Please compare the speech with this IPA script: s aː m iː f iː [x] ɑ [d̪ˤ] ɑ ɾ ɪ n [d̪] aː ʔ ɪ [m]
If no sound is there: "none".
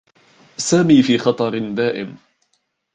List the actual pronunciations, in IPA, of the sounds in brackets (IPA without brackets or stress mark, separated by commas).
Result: x, t̪ˤ, d̪, m